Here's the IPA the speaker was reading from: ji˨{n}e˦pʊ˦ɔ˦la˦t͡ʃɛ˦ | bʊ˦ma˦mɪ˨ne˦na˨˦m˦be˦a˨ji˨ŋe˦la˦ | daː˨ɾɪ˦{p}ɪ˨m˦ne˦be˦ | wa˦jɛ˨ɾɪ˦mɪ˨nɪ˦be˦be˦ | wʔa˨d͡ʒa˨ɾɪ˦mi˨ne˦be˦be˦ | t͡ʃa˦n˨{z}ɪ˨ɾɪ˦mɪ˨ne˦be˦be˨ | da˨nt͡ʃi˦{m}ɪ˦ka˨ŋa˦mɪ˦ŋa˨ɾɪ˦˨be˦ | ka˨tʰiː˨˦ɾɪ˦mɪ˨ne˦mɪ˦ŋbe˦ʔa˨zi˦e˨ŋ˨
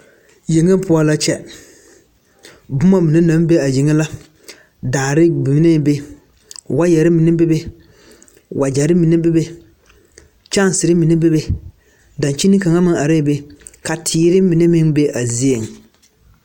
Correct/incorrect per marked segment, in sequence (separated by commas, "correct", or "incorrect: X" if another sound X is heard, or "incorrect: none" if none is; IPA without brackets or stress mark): incorrect: ŋ, incorrect: b, incorrect: s, incorrect: n